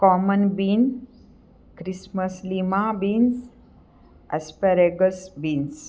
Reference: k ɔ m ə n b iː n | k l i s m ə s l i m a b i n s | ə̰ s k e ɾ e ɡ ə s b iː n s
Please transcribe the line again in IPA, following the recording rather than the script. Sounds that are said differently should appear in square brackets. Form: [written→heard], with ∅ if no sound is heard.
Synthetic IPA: k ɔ m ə n b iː n | k [l→ɾ] i s m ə s l i m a b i n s | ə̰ s [k→p] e ɾ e ɡ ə s b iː n s